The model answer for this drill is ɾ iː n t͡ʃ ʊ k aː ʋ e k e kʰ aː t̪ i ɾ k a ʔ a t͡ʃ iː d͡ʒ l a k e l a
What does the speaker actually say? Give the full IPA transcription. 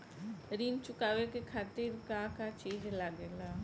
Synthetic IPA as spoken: ɾ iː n t͡ʃ ʊ k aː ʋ e k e kʰ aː t̪ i ɾ k a k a t͡ʃ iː d͡ʒ l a ɡ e l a